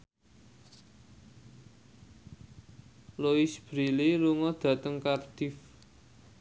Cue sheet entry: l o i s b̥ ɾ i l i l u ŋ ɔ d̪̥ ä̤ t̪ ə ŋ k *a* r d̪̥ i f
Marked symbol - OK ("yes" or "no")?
yes